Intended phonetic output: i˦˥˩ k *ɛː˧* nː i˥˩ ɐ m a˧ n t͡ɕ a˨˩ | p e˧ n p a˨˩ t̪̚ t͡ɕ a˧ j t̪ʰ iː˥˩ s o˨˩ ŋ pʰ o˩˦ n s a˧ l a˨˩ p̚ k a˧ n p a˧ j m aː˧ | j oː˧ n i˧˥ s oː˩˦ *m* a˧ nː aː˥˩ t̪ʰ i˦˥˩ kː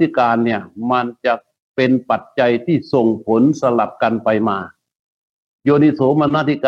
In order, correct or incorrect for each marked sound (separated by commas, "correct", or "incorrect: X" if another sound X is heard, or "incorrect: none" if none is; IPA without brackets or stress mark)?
incorrect: aː˧, correct